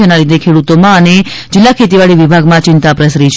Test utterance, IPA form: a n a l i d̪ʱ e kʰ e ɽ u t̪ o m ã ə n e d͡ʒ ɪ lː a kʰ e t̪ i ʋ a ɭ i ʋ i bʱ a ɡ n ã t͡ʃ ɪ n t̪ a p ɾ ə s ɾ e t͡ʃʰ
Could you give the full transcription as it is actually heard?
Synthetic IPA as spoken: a n a l i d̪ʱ e kʰ e ɽ u t̪ o m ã ə n e d͡ʒ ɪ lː a kʰ e t̪ i ʋ a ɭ i ʋ i bʱ a ɡ m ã t͡ʃ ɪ n t̪ a p ɾ ə s ɾ i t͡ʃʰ